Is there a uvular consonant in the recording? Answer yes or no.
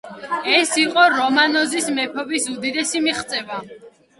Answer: yes